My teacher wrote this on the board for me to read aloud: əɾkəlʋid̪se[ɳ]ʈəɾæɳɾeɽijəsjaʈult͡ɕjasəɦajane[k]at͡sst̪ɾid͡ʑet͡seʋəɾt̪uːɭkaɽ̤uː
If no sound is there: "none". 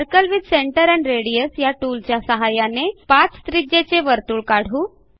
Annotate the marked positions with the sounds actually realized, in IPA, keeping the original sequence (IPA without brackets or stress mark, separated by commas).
ɳ, p